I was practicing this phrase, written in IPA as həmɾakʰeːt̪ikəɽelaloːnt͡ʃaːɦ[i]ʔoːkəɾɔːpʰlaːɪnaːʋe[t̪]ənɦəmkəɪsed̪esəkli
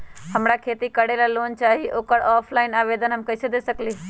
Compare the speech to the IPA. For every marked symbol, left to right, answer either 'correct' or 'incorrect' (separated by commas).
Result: correct, incorrect